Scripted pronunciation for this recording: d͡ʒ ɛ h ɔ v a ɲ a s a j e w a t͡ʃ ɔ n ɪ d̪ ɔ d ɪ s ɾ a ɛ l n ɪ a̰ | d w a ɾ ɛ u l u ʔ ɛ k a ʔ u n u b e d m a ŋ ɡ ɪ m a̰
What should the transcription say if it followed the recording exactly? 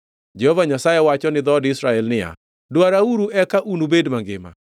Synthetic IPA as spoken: d͡ʒ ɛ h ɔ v a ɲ a s a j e w a t͡ʃ ɔ n ɪ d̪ ɔ d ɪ s ɾ a ɛ l n ɪ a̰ | d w a ɾ a u ɾ u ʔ ɛ k a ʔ u n u b e d m a ŋ ɡ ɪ m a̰